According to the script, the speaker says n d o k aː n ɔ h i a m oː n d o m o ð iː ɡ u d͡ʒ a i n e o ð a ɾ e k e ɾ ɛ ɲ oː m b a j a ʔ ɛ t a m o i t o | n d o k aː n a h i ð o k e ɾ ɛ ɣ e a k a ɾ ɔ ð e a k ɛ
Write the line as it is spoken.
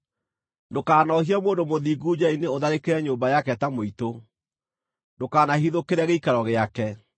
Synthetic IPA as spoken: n d o k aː n ɔ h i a m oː n d o m o ð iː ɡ u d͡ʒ a i n e o ð a ɾ e k e ɾ ɛ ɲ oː m b a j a k ɛ t a m o i t o | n d o k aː n a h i ð o k e ɾ ɛ ɣ e i k a ɾ ɔ ɣ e a k ɛ